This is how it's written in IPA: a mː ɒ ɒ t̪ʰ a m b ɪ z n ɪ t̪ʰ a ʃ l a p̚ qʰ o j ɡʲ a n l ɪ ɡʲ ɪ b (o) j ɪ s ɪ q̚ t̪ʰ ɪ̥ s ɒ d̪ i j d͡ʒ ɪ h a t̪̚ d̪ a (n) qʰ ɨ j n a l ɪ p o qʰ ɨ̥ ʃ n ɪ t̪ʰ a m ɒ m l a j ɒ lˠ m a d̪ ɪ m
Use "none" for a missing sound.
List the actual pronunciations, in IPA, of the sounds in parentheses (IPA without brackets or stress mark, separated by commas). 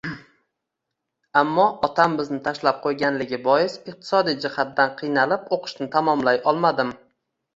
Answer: ɒ, n